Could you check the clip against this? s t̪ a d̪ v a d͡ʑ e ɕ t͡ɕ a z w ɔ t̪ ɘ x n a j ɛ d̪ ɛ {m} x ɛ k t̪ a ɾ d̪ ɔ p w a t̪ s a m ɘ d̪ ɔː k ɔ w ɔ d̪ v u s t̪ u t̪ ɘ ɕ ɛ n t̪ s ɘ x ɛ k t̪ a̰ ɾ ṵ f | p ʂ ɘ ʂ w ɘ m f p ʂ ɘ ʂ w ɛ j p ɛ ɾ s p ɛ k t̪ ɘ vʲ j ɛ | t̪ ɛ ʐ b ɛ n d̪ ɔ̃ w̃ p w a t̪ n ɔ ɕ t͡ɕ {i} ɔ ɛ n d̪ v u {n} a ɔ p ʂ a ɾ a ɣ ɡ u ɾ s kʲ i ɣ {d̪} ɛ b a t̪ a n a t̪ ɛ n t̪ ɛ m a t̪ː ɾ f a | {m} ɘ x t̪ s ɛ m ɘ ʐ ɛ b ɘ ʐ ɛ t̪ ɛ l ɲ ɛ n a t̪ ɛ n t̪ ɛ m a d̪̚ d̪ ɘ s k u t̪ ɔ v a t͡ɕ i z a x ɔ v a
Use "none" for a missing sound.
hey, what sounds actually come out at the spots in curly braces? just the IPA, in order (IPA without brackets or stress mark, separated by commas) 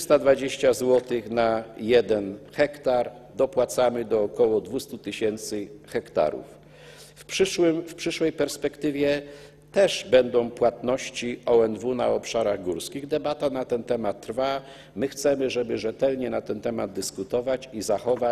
n, i, n, d̪, m